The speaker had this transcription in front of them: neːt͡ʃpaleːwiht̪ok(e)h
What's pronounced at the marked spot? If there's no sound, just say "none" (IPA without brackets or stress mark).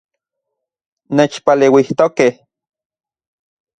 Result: e